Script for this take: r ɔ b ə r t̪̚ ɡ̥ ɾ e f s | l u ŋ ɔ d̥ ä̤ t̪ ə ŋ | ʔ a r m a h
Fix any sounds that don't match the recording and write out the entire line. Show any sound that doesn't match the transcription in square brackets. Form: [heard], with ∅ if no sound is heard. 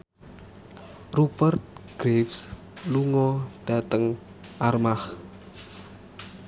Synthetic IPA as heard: r [u] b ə r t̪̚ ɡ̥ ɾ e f s | l u ŋ ɔ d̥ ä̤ t̪ ə ŋ | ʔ a r m a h